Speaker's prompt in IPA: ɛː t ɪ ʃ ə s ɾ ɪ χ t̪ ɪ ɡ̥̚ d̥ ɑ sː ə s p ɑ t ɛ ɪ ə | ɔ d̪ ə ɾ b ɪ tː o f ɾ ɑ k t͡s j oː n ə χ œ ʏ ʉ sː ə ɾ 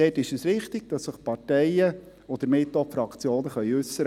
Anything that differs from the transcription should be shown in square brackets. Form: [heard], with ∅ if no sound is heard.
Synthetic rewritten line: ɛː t ɪ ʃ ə s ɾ ɪ χ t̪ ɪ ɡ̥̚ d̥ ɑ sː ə [χ] p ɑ t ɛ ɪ ə | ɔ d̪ ə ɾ [m] ɪ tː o f ɾ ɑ k t͡s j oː n ə χ œ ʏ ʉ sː ə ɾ